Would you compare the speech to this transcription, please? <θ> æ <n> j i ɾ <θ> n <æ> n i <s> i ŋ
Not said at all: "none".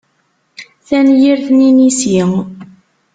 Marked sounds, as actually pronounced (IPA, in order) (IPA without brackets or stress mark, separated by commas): θ, n, θ, i, s